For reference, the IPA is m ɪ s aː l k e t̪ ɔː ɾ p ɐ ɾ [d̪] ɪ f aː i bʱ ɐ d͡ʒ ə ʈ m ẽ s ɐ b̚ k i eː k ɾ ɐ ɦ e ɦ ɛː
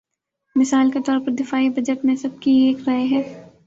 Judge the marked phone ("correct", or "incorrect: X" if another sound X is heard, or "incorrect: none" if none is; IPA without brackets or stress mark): correct